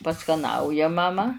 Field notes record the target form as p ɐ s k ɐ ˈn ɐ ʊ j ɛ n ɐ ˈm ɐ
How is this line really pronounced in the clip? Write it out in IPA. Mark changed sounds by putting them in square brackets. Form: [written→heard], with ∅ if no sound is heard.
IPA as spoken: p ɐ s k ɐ ˈn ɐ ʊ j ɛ [n→m] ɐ ˈm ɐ